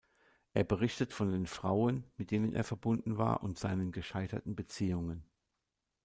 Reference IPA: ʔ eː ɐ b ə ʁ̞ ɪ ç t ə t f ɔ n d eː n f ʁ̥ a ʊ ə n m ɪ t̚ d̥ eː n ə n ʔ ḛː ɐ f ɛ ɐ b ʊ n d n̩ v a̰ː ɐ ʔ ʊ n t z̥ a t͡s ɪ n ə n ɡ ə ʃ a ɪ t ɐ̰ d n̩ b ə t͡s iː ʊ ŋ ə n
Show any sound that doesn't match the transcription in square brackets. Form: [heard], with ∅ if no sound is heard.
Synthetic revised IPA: ʔ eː ɐ b ə ʁ̞ ɪ ç t ə t f ɔ n d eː n f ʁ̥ a ʊ ə n m ɪ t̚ d̥ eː n ə n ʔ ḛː ɐ f ɛ ɐ b ʊ n d n̩ v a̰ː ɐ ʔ ʊ n t z̥ a [∅] ɪ n ə n ɡ ə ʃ a ɪ t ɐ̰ [t] n̩ b ə t͡s iː ʊ ŋ ə n